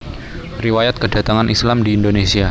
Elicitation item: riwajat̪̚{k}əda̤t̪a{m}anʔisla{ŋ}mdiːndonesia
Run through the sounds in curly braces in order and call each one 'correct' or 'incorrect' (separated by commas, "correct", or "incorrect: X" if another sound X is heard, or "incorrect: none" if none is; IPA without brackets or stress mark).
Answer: correct, incorrect: ŋ, incorrect: none